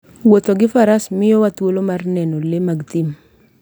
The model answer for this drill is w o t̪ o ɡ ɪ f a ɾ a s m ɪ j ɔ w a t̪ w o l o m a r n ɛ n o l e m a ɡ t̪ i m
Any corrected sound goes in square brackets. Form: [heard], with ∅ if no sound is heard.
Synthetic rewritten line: w o t̪ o ɡ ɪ f a ɾ a s m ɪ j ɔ w a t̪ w o l o m a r n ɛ n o l e m a ɡ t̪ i m